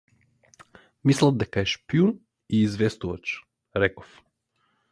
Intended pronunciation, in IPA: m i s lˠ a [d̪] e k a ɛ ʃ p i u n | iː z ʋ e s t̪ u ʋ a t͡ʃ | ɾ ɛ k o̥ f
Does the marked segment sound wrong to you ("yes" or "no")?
no